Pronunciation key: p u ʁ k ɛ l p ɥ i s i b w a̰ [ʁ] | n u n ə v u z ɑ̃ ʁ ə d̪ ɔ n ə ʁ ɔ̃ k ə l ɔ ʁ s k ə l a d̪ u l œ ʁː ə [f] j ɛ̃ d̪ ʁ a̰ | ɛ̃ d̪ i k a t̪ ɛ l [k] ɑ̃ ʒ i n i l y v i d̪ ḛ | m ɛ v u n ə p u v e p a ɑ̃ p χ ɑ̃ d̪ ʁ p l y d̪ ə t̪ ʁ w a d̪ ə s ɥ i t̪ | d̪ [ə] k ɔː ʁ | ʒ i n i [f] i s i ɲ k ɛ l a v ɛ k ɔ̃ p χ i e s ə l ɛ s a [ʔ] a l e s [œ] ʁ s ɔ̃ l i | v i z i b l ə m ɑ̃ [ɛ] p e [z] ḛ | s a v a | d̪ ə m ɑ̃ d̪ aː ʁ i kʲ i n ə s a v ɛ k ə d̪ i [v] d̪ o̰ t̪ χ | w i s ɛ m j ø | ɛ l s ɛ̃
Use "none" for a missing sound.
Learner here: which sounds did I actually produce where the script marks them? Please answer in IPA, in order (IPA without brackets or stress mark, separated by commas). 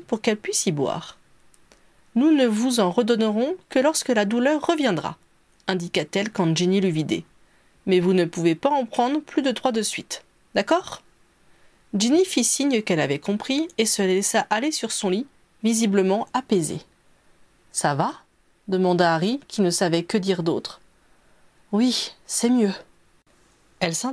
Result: ʁ, v, k, a, f, ʔ, y, a, z, ʁ